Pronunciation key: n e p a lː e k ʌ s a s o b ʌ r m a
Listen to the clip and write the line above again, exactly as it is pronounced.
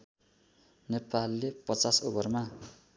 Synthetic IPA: n e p a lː e p ʌ t͡s a s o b ʌ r m a